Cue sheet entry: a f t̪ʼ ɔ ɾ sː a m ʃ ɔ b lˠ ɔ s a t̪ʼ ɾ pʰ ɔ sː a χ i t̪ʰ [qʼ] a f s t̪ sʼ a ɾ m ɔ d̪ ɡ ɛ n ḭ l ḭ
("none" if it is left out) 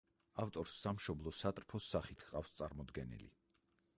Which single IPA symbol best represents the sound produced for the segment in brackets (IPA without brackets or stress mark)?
qʼ